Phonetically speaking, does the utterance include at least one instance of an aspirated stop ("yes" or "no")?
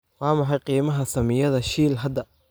no